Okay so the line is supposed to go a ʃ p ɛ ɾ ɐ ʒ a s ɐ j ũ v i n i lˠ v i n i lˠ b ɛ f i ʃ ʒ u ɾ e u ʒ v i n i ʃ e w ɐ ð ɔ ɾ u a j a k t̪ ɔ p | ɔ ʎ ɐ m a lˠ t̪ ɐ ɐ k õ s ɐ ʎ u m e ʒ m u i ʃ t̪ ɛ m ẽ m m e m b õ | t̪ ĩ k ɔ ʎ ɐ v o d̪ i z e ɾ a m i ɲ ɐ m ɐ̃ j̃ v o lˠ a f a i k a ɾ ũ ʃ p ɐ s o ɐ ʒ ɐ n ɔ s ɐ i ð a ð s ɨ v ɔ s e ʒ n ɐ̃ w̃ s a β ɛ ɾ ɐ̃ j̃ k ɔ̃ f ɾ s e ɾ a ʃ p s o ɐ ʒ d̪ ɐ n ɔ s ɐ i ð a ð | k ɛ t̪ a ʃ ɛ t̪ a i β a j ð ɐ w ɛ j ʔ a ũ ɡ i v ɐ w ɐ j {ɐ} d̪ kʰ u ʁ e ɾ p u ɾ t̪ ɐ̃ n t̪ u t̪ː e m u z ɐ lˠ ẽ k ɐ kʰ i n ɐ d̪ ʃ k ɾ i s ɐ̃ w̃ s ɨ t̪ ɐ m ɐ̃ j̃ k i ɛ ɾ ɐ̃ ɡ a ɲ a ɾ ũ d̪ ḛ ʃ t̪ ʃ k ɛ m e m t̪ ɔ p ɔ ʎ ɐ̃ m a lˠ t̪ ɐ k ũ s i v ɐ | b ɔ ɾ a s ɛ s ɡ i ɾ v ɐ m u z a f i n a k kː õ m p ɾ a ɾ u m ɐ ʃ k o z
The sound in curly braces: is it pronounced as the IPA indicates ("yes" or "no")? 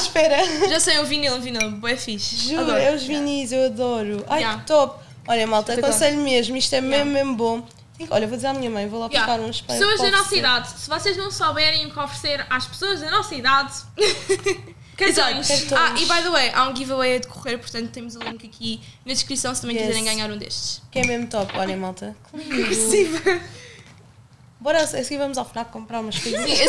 yes